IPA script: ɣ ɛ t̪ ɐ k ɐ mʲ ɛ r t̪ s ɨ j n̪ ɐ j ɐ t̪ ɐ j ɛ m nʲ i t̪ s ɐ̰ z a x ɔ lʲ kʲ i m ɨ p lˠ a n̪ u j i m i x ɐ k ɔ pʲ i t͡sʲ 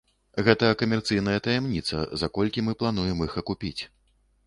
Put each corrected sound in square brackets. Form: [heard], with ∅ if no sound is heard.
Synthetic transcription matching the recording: ɣ ɛ t̪ ɐ k ɐ mʲ ɛ r t̪ s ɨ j n̪ ɐ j ɐ t̪ ɐ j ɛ m nʲ i t̪ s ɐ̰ z a [k] ɔ lʲ kʲ i m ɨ p lˠ a n̪ u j [ɛ] m i x ɐ k [u] pʲ i t͡sʲ